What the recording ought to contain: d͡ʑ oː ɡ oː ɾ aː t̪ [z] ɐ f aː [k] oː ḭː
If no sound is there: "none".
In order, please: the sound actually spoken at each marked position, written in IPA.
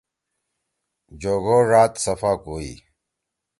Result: s, k

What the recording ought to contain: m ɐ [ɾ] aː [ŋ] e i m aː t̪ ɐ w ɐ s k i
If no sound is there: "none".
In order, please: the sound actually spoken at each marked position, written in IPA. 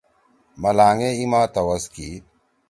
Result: l, ŋ

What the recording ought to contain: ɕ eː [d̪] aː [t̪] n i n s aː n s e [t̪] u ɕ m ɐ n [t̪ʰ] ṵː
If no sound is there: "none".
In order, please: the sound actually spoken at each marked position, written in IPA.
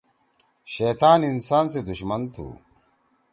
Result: t̪, none, d̪, t̪ʰ

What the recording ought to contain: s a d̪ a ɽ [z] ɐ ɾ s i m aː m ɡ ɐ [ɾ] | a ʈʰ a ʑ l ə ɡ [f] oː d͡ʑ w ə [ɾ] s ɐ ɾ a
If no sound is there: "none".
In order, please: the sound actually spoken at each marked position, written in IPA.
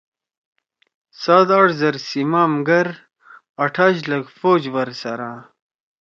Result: z, ɾ, f, ɾ

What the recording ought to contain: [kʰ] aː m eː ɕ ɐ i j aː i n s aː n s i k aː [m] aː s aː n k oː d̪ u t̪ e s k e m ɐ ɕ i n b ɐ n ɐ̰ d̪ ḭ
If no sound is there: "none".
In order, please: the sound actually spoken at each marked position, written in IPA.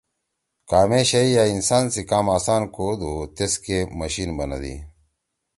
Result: k, m

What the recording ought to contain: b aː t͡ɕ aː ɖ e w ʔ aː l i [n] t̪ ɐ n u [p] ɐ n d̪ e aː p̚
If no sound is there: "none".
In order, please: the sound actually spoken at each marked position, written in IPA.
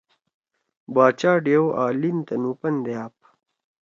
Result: n, p

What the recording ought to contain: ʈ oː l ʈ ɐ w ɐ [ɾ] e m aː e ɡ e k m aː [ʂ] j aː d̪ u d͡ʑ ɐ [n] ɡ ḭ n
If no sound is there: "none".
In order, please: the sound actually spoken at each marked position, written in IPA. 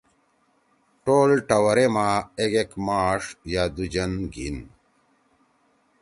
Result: ɾ, ʂ, n

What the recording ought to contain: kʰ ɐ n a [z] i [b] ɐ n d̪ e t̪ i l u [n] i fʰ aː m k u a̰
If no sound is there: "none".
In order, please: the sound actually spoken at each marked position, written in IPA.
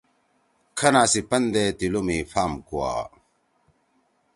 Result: s, p, m

